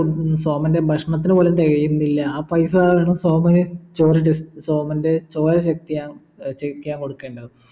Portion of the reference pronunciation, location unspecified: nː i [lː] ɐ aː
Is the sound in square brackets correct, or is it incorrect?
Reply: correct